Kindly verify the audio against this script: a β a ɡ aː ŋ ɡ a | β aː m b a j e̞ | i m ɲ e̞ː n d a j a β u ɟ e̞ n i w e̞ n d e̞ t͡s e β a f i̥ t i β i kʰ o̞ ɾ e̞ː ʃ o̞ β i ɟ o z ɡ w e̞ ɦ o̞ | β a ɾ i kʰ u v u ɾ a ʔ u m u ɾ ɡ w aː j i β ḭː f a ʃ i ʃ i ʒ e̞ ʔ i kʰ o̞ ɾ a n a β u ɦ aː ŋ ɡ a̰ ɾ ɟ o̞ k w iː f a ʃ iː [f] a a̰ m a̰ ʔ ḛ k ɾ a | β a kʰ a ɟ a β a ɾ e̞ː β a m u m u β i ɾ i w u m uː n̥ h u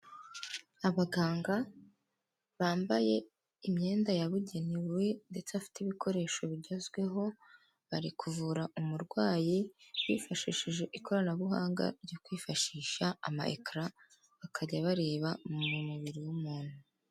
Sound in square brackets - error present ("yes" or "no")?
yes